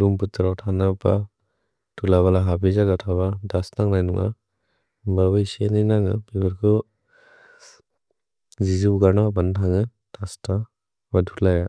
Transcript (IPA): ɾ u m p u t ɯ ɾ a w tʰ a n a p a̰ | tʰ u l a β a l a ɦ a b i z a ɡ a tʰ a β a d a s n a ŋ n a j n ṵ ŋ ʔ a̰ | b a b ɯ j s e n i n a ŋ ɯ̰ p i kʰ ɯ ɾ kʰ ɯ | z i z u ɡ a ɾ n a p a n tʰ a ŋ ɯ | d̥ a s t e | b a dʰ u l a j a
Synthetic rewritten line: ɾ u m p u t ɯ ɾ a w tʰ a n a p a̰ | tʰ u l a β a l a ɦ a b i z a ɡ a tʰ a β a d a s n a ŋ n a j n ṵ ŋ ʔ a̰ | b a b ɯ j s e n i n a ŋ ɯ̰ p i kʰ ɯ ɾ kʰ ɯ | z i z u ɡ a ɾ n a b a n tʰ a ŋ ɯ | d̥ a s t a | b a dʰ u l a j a